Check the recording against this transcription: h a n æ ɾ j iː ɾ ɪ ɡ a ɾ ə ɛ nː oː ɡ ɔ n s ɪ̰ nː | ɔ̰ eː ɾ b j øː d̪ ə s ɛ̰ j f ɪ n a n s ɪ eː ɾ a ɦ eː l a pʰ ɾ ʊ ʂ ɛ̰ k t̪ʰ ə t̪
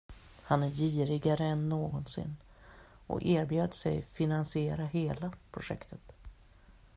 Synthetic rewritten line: h a n æ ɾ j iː ɾ ɪ ɡ a ɾ ə ɛ nː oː ɡ ɔ n s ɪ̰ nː | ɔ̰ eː ɾ b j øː d̪ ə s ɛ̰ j f ɪ n a n s ɪ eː ɾ a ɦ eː l a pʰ ɾ ʊ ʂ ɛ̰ k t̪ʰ ə t̪